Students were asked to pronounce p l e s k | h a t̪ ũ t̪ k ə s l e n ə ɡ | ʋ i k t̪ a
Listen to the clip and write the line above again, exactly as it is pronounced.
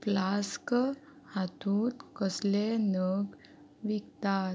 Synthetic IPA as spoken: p l a s k | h a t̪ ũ t̪ k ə s l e n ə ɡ | ʋ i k t̪ a